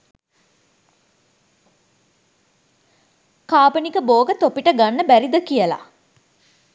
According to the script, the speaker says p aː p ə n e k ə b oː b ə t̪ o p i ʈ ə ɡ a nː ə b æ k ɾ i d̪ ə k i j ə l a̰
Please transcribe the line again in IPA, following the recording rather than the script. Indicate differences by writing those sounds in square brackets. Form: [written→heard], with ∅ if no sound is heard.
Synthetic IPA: [p→k] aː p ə n [e→i] k ə b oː [b→ɡ] ə t̪ o p i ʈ ə ɡ a nː ə b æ [k→∅] ɾ i d̪ ə k i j ə l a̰